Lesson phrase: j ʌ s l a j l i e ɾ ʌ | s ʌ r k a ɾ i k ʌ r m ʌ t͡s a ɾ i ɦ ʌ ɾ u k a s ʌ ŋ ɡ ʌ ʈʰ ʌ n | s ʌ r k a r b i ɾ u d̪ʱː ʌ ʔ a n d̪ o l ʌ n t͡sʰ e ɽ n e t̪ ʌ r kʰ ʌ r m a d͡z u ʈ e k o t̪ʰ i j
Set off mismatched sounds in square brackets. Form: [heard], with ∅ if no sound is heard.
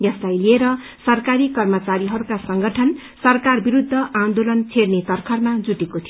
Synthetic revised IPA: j ʌ s l a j l i e ɾ ʌ | s ʌ r k a ɾ i k ʌ r m ʌ t͡s a ɾ i ɦ ʌ ɾ u k a s ʌ ŋ ɡ ʌ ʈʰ ʌ n | s ʌ r k a r b i ɾ u d̪ʱː ʌ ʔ a n d̪ o l ʌ n t͡sʰ e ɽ n e t̪ ʌ r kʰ ʌ r m a d͡z u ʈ e k o t̪ʰ i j